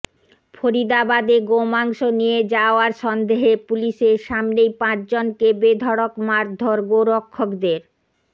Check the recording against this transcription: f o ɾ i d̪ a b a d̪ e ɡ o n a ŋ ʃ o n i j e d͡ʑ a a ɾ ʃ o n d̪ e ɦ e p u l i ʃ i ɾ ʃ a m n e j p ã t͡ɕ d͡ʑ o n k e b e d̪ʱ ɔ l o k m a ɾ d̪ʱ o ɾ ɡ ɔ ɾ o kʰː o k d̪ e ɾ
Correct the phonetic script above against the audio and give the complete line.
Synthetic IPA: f o ɾ i d̪ a b a d̪ e ɡ o m a ŋ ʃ o n i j e d͡ʑ a a ɾ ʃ ɔ n d̪ e ɦ e p u l i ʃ e ɾ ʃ a m n e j p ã t͡ɕ d͡ʑ o n k e b e d̪ʱ ɔ ɽ o k m a ɾ d̪ʱ o ɾ ɡ o ɾ o kʰː o k d̪ e ɾ